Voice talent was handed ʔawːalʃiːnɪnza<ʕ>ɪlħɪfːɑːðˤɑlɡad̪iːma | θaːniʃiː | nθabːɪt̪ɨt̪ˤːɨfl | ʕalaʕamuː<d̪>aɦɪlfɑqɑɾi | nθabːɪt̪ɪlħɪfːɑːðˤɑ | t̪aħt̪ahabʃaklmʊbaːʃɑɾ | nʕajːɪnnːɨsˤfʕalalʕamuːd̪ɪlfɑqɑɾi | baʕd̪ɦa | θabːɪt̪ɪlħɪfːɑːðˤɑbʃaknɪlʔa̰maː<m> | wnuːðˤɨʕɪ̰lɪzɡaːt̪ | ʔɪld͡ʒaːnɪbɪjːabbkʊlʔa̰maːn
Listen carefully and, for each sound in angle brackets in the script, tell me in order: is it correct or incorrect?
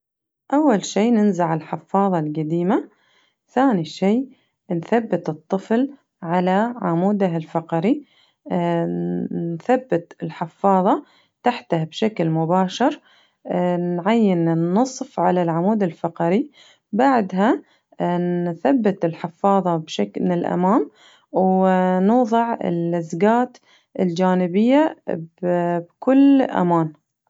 correct, correct, correct

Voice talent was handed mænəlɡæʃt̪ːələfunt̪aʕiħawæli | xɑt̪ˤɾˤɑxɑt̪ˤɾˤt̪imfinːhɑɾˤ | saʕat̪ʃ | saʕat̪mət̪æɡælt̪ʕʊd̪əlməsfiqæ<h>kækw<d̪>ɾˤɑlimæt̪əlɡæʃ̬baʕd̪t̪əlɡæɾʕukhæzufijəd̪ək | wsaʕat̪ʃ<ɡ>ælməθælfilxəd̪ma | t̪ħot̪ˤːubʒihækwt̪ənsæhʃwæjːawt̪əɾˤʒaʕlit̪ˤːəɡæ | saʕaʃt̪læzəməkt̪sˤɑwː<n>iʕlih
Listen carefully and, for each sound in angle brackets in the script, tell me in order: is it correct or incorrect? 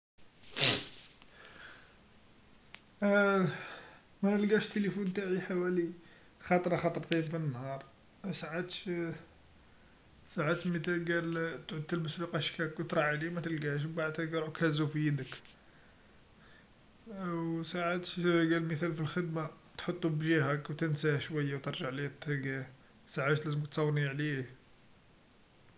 incorrect, incorrect, correct, correct

